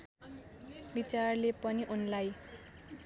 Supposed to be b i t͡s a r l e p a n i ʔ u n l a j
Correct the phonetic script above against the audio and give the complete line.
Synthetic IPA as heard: b i t͡s a r l e p ʌ n i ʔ u n l a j